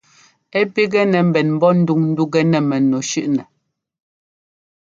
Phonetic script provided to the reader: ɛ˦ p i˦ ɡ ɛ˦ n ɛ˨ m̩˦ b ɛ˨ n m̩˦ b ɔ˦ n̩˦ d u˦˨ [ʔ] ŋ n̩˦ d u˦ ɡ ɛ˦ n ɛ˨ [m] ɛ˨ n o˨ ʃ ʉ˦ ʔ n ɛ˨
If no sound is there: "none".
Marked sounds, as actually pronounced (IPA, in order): none, m

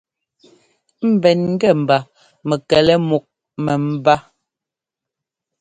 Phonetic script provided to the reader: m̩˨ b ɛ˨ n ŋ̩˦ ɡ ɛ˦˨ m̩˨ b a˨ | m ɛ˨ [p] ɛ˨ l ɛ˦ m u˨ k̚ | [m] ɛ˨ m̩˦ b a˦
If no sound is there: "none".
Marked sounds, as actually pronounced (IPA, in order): k, m

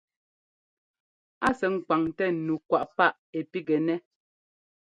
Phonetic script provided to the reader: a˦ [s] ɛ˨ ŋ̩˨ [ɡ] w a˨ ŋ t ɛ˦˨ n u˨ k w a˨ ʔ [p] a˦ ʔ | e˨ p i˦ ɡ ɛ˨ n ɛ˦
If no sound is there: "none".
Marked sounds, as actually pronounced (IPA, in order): s, k, p

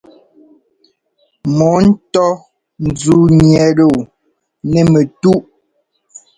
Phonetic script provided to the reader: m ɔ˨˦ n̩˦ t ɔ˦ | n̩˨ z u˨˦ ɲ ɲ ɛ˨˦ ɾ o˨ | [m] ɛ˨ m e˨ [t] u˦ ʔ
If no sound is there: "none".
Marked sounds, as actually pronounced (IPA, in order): n, t

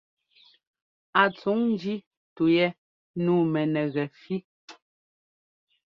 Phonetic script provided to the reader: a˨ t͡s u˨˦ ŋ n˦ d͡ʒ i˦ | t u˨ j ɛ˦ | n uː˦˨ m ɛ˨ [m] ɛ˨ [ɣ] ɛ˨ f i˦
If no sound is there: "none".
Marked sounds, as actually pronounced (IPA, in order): n, ɣ

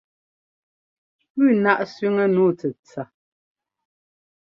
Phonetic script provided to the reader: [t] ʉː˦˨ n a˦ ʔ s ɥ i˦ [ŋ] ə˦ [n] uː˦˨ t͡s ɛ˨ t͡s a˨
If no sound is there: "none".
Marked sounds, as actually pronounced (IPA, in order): p, ŋ, n

